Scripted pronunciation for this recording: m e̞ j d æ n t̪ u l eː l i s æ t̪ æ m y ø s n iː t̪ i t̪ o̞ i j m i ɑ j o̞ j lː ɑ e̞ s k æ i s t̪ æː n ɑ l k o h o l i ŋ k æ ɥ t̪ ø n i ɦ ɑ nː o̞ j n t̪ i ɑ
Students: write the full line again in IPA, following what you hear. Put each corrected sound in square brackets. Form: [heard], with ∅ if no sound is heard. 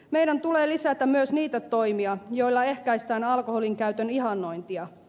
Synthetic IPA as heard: m e̞ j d æ n t̪ u l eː l i s æ t̪ æ m y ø s n iː t̪ [æ] t̪ o̞ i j m i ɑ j o̞ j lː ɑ e̞ [h] k æ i s t̪ æː n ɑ l k o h o l i ŋ k æ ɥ t̪ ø n i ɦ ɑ nː o̞ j n t̪ i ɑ